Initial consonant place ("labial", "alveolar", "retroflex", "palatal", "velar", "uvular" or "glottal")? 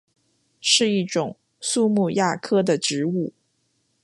retroflex